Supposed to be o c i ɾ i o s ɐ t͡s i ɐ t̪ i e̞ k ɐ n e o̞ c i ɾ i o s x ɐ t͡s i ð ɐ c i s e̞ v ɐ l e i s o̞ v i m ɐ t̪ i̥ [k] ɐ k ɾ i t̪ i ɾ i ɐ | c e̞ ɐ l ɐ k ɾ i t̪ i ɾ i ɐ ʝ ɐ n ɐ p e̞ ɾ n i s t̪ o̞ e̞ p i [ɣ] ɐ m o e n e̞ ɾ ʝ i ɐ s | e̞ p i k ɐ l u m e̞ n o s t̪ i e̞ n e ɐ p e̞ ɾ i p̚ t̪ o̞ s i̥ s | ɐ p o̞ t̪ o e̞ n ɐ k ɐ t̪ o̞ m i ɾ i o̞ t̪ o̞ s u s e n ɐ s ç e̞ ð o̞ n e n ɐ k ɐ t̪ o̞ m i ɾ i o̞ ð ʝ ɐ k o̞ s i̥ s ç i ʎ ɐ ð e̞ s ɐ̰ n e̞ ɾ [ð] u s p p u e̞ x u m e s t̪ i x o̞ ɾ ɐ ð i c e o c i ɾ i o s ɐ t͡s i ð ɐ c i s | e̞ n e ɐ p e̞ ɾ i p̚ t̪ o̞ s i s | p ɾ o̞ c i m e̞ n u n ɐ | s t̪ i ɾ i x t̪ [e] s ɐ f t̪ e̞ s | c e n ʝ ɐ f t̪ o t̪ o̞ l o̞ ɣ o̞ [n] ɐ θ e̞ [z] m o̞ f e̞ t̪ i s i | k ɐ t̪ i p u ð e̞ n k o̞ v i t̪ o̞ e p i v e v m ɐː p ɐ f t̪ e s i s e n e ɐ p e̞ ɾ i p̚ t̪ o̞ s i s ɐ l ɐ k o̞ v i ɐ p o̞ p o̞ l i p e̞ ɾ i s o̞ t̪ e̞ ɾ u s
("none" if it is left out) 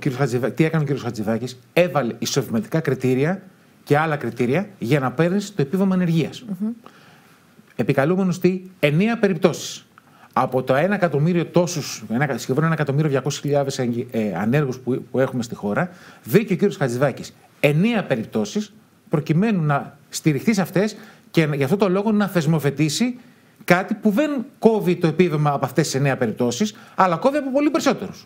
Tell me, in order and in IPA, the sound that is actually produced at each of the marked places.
k, v, ɣ, i, n, z

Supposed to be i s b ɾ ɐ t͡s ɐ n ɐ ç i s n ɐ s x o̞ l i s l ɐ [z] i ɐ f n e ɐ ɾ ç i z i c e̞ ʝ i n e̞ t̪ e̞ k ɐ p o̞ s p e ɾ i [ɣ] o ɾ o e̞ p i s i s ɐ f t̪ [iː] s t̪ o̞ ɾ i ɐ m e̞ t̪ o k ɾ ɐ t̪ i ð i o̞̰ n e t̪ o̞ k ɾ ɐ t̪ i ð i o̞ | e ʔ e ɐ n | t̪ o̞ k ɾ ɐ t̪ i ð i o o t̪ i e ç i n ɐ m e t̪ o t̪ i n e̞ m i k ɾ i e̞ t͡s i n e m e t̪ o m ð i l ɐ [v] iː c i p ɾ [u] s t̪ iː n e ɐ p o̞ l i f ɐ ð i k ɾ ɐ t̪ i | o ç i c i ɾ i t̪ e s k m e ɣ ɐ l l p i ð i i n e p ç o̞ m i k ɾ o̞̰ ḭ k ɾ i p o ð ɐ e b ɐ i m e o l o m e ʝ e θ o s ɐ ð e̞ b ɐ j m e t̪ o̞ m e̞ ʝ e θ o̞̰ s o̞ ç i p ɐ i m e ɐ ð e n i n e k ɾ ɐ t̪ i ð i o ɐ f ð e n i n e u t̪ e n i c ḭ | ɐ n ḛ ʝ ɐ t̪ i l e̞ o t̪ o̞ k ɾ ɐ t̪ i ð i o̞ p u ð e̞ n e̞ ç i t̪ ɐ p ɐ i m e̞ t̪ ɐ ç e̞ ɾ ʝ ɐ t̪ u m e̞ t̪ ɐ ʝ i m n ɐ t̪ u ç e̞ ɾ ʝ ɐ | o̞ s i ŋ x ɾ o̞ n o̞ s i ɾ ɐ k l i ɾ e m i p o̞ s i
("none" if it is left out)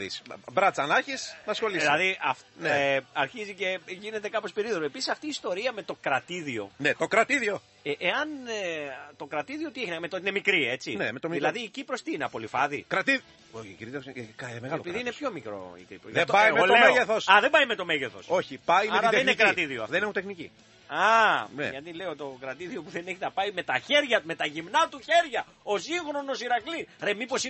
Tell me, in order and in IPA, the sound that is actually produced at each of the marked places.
ð, ð, iː, ð, o

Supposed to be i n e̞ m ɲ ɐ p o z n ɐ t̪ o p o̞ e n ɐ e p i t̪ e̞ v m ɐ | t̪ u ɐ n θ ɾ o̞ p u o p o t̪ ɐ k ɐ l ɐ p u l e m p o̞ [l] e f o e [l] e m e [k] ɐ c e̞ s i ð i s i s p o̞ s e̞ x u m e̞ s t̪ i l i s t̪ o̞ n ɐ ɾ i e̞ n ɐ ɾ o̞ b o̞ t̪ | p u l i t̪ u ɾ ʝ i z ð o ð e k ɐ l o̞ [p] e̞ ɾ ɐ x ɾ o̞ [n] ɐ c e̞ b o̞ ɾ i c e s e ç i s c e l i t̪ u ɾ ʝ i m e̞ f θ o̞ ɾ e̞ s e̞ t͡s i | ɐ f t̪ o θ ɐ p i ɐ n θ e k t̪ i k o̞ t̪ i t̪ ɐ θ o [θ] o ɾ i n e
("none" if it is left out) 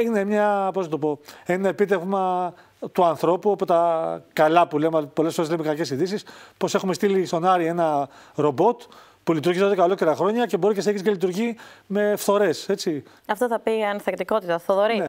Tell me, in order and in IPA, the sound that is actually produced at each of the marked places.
l, l, k, c, ɲ, ð

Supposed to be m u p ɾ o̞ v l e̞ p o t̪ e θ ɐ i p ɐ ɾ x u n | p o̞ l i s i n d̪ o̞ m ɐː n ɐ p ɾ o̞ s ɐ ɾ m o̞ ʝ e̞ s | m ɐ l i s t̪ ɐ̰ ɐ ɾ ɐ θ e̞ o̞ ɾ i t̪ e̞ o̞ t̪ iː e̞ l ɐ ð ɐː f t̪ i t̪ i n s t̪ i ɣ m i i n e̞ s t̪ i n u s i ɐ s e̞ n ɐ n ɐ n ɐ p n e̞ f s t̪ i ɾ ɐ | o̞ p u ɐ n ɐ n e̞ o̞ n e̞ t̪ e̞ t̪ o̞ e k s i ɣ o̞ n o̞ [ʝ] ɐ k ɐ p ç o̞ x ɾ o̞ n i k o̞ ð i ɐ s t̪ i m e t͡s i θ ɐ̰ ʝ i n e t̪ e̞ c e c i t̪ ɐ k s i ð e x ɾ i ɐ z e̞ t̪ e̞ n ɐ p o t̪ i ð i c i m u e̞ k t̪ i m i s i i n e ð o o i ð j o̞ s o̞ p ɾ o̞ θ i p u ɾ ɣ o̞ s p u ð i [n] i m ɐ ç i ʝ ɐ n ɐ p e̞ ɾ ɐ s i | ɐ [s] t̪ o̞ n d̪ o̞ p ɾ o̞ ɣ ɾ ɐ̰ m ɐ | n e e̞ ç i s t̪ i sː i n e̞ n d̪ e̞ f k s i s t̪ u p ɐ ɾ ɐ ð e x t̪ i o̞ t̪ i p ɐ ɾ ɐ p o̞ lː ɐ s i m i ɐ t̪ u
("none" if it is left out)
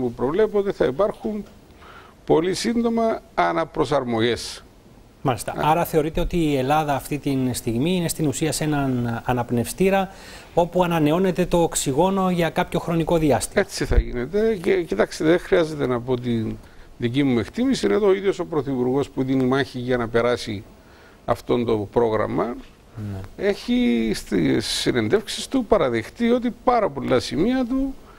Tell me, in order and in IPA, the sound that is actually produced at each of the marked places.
ʝ, n, f

